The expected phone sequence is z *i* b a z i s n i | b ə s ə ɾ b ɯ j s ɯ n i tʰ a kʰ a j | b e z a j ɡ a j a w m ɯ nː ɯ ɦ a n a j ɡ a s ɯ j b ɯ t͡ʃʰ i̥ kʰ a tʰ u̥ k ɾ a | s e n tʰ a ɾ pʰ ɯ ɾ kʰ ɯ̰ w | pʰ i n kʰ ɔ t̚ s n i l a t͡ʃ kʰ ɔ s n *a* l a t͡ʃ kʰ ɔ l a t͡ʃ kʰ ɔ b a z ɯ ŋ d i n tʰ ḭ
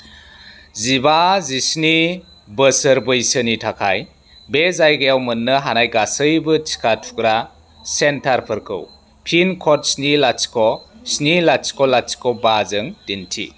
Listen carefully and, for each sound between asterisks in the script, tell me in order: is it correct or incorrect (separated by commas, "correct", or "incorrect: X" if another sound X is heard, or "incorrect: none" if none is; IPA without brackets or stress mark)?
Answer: correct, incorrect: i